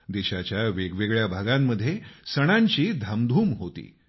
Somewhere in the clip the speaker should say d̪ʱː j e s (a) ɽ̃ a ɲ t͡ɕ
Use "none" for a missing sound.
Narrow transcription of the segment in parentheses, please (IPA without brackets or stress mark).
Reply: ə